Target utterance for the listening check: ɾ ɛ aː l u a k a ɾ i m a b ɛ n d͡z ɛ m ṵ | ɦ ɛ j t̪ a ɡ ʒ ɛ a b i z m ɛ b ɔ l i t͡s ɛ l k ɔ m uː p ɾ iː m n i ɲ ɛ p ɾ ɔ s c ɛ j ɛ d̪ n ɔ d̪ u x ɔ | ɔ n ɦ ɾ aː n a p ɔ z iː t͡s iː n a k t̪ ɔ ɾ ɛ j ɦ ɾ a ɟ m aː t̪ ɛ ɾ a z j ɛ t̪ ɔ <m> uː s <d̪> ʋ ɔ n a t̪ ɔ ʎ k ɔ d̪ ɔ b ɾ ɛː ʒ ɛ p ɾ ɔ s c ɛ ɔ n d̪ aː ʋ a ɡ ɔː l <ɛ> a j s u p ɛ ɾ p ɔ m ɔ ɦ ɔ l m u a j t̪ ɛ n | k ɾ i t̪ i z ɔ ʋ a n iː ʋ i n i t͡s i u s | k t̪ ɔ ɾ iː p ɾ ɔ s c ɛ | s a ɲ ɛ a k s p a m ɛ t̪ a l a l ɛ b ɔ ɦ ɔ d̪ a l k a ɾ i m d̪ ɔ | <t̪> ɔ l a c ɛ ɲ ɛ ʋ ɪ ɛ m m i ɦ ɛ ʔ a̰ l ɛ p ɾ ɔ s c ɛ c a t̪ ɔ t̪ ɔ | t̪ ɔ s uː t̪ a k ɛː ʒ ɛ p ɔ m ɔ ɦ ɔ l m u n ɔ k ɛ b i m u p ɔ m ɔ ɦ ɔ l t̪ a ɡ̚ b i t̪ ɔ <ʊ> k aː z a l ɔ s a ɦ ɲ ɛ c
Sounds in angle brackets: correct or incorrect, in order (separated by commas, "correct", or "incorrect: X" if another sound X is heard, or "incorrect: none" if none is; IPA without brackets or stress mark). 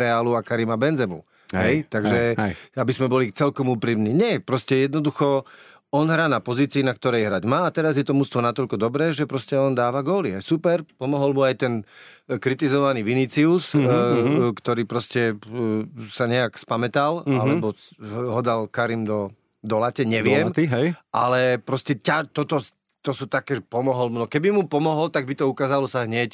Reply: correct, incorrect: t̪, incorrect: i, incorrect: d̪, incorrect: u